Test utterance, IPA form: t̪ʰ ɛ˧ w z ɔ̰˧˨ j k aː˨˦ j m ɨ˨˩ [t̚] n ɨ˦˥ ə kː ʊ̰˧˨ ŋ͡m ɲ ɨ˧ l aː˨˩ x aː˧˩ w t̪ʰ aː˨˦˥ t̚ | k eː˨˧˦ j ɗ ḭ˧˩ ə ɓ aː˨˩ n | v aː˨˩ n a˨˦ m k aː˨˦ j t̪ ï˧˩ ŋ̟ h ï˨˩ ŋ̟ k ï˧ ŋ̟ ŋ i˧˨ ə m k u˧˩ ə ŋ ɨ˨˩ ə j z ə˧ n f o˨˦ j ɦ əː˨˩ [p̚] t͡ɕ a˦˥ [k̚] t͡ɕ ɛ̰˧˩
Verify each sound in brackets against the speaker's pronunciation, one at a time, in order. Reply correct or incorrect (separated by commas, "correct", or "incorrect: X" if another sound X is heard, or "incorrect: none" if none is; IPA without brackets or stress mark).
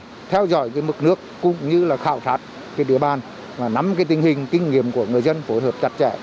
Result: incorrect: k̚, correct, incorrect: t̚